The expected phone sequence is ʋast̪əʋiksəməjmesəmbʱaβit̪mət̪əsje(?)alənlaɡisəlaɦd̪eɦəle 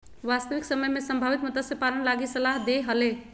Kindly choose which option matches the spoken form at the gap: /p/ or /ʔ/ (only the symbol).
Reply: p